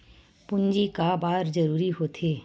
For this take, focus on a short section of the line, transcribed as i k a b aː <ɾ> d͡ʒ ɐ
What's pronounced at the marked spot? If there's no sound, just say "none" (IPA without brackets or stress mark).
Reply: ɾ